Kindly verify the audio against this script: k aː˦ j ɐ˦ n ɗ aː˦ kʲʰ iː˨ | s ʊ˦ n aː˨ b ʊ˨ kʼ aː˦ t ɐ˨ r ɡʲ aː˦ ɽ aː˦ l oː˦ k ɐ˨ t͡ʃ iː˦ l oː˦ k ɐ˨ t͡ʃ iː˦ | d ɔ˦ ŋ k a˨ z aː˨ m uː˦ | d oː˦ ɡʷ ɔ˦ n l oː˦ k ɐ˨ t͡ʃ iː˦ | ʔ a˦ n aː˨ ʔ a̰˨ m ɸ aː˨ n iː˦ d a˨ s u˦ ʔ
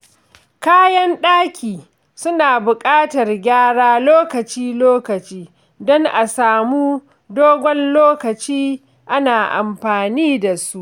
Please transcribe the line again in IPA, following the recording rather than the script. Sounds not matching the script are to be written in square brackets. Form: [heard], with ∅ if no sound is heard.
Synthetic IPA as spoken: k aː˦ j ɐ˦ n ɗ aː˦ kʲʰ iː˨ | s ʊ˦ n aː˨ b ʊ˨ kʼ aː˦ t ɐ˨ r ɡʲ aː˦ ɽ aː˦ l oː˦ k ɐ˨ t͡ʃ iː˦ l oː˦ k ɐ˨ t͡ʃ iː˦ | d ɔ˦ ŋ [ʔ] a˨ [s] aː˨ m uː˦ | d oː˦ ɡʷ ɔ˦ n l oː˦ k ɐ˨ t͡ʃ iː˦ | ʔ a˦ n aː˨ ʔ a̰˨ m ɸ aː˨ n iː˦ d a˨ s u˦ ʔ